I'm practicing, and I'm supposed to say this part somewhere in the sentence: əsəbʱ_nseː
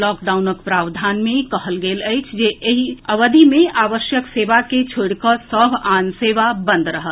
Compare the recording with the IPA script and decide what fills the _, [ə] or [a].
a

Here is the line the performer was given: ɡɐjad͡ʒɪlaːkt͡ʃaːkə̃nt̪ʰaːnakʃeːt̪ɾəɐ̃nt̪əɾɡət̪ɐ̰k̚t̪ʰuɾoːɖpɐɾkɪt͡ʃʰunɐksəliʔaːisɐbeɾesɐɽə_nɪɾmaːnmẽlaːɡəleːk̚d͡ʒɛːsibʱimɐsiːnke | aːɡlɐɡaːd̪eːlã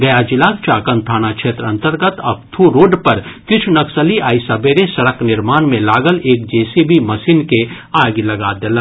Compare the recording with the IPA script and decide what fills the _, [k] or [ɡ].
k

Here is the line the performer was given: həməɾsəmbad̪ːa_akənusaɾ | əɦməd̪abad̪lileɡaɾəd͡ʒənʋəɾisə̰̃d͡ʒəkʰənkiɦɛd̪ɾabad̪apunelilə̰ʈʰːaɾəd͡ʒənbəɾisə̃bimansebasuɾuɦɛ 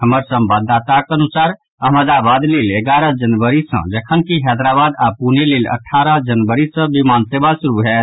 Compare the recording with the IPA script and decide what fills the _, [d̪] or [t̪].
t̪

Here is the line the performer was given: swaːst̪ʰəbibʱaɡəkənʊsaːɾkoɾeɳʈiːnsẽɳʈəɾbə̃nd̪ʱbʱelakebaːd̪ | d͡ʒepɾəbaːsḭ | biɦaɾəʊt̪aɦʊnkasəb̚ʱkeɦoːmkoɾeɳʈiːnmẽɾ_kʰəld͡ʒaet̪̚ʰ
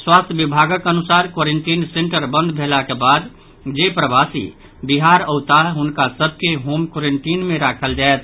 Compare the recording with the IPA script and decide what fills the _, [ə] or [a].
a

